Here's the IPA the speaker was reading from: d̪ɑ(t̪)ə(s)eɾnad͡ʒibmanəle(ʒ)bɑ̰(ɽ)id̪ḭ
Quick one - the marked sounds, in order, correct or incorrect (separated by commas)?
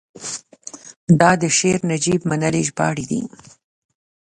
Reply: incorrect, incorrect, correct, correct